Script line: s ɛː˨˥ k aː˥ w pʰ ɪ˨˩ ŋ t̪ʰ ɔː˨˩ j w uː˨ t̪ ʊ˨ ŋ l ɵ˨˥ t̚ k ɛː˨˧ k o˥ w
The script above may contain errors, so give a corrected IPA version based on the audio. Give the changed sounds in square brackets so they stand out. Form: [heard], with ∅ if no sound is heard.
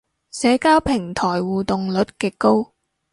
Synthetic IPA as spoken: s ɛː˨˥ k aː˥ w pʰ ɪ˨˩ ŋ t̪ʰ ɔː˨˩ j w uː˨ t̪ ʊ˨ ŋ l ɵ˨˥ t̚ k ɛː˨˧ k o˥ w